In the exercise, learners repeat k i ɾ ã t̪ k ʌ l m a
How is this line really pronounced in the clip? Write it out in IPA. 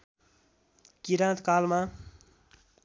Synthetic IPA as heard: k i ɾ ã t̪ k a l m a